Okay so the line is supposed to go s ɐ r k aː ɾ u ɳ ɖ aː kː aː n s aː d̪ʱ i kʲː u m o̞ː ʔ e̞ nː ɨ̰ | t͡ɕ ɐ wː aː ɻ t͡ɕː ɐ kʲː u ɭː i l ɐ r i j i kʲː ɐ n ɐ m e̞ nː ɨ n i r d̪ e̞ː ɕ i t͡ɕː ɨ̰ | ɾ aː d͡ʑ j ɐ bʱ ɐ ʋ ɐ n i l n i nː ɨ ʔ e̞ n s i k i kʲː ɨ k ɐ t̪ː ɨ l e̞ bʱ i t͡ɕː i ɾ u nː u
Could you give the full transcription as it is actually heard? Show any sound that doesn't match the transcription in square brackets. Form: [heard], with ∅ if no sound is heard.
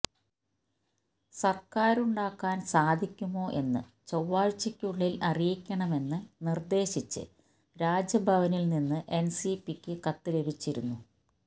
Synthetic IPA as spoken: s ɐ r k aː ɾ u ɳ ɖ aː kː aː n s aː d̪ʱ i kʲː u m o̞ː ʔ e̞ nː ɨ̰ | t͡ɕ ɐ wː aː ɻ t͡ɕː ɐ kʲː u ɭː i l ɐ r i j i kʲː ɐ [ɳ] ɐ m e̞ nː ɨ n i r d̪ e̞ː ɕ i t͡ɕː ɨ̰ | ɾ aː d͡ʑ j ɐ bʱ ɐ ʋ ɐ n i l n i nː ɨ ʔ e̞ n s i [p] i kʲː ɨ k ɐ t̪ː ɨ l e̞ bʱ i t͡ɕː i ɾ u nː u